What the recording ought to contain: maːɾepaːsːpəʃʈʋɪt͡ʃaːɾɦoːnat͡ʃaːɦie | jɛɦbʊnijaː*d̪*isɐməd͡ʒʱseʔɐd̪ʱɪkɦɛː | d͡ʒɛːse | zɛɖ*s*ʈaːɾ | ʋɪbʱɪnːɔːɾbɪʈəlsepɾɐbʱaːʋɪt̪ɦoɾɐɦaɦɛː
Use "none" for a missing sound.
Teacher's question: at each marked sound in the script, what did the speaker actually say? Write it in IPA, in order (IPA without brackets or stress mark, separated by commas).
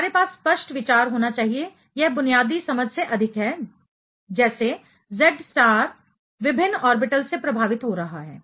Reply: d̪, s